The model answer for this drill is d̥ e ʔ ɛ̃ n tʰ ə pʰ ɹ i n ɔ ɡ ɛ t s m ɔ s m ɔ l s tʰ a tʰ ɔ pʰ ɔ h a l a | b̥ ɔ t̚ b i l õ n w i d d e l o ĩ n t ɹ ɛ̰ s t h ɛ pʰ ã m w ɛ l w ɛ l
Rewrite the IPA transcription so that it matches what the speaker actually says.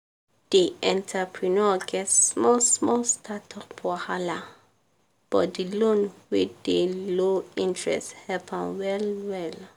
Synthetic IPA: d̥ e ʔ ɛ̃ n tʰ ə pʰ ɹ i n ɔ ɡ ɛ t s m ɔ s m ɔ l s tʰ a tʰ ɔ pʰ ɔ h a l a | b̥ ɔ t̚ d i l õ n w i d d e l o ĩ n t ɹ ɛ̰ s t h ɛ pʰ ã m w ɛ l w ɛ l